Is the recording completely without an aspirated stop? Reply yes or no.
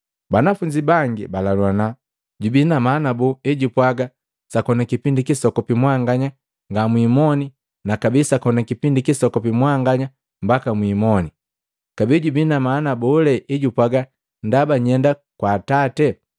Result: yes